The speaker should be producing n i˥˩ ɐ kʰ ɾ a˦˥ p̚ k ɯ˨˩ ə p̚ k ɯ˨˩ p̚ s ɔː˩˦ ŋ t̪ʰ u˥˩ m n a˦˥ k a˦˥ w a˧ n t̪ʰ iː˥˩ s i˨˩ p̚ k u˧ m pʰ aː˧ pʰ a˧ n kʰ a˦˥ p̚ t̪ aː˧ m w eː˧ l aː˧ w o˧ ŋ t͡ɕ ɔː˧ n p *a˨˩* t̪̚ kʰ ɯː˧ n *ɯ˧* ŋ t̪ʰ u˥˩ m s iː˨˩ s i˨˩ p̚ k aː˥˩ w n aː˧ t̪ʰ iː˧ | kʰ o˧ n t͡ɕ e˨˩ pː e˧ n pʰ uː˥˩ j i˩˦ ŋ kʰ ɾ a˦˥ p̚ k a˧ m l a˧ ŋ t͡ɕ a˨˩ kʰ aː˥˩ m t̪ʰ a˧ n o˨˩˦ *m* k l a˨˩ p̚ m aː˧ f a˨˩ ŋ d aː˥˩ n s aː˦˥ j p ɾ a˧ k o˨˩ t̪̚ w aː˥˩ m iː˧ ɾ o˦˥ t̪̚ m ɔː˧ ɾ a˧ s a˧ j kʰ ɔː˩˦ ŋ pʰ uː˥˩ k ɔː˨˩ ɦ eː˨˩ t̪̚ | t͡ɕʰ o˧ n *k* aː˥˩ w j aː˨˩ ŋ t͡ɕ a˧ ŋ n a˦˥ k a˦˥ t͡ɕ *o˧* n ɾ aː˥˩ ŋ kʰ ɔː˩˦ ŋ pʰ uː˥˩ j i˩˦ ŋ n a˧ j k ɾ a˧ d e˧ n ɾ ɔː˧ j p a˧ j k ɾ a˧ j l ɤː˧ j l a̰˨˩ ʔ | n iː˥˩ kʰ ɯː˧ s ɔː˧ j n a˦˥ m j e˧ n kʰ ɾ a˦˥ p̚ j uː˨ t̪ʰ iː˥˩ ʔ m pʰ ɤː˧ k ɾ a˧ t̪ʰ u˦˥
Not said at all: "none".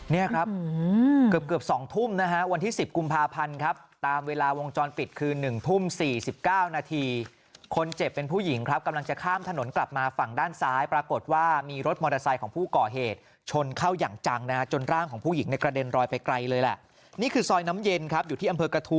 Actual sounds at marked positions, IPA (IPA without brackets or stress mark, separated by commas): i˨˩, ɯ˨˩, n, kʰ, o˧